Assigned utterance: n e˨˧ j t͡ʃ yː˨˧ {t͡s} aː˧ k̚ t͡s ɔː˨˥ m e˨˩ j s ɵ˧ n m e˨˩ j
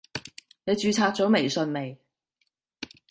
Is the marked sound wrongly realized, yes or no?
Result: yes